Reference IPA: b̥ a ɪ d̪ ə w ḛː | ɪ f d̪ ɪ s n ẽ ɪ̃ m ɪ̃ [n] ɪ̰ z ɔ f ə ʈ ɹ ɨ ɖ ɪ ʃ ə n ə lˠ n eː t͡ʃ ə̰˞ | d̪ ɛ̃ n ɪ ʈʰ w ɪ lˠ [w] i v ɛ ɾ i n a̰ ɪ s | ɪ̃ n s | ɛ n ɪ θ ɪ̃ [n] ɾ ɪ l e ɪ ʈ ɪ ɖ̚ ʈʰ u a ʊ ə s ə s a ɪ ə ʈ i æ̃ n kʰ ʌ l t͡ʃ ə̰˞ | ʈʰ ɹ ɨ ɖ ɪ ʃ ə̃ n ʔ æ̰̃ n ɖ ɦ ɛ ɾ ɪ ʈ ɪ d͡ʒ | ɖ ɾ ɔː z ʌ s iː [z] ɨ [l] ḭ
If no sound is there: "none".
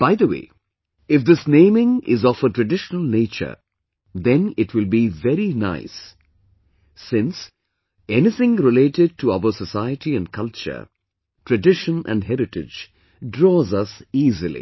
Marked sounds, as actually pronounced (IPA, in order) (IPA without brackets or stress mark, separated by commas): ŋ, b, ŋ, z, l